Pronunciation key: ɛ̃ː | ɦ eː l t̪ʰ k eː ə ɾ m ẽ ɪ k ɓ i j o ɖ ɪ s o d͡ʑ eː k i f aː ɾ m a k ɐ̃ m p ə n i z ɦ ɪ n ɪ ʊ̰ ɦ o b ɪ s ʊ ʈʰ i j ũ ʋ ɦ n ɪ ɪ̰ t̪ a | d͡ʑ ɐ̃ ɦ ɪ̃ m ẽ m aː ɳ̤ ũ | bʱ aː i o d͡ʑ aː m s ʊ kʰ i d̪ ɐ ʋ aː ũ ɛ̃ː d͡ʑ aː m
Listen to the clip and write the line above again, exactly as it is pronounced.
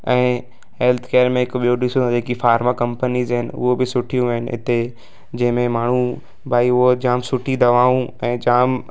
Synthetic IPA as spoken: ɛ̃ː | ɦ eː l t̪ʰ k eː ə ɾ m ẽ ɪ k ɓ i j o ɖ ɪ s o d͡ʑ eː k i f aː ɾ m a k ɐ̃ m p ə n i z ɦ ɪ n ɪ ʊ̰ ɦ o b ɪ s ʊ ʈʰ i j ũ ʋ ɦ n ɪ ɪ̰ t̪ e | d͡ʑ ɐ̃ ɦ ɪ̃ m ẽ m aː ɳ̤ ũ | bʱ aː i o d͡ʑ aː m s ʊ ʈʰ i d̪ ɐ ʋ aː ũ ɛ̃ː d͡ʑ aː m